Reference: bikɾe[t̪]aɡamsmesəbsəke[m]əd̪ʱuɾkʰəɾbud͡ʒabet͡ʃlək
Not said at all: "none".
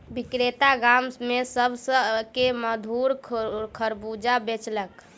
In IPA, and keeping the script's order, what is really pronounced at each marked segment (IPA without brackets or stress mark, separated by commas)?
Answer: t̪, m